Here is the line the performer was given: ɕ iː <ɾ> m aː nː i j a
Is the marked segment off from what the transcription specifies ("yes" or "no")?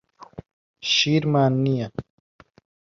no